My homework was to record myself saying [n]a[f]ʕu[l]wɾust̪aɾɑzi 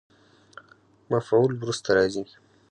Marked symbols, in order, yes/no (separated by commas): no, yes, yes